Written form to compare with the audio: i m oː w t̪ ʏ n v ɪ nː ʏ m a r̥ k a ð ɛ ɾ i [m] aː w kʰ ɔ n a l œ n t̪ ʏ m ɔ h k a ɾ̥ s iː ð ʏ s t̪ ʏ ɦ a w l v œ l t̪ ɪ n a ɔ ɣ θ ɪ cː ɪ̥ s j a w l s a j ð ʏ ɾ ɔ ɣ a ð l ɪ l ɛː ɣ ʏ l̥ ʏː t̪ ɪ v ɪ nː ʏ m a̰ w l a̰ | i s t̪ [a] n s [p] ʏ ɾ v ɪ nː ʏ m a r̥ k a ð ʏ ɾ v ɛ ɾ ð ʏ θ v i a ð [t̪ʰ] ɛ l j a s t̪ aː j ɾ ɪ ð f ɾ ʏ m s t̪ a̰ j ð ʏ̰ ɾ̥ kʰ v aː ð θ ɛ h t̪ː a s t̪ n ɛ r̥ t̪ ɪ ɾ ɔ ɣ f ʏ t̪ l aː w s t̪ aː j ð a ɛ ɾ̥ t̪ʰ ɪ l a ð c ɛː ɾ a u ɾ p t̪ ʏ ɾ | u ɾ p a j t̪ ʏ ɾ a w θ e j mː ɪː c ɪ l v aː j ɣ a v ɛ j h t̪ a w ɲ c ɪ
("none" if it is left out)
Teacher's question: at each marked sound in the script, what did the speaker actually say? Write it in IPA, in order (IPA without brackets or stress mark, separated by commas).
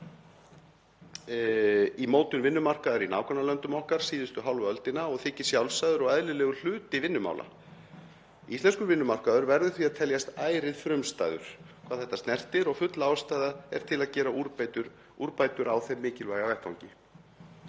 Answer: n, ɛ, k, t̪ʰ